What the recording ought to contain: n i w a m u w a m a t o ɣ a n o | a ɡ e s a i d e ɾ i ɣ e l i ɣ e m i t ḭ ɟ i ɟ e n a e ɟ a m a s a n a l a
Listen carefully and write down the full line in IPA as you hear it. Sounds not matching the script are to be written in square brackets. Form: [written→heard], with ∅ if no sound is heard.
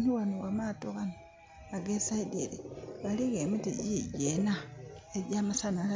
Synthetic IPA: n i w a [m→n] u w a m a t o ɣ a n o | a ɡ e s a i d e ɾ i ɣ [e→a] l i ɣ e m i t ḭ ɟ i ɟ e n a e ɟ a m a s a n a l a